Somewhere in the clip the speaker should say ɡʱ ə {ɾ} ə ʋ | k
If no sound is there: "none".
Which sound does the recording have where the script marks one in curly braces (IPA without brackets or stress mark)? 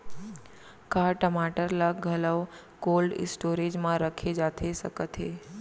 l